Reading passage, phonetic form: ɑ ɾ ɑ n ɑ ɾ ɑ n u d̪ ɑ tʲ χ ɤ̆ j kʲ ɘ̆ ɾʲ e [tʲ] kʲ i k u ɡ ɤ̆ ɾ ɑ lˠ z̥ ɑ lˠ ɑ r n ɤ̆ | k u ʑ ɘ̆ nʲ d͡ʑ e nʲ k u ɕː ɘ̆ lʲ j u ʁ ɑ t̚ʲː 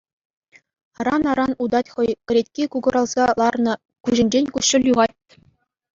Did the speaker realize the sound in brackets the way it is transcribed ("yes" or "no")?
yes